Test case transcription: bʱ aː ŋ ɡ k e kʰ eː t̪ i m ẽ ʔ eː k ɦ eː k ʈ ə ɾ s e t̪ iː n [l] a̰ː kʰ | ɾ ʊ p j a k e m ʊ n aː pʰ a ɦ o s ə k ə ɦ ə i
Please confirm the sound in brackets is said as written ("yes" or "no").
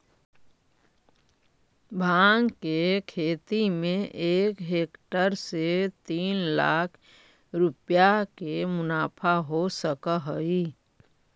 yes